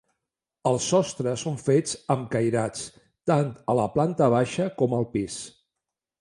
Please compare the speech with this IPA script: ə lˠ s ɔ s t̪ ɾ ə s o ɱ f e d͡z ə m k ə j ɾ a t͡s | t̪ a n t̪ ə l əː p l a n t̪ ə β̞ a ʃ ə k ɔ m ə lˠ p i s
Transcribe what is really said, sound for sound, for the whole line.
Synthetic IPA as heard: ə lˠ s ɔ s t̪ ɾ ə s o ɱ f e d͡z ə m k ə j ɾ a t͡s | t̪ a n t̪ ə l ə p l a n t̪ ə β̞ a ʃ ə k ɔ m ə lˠ p i s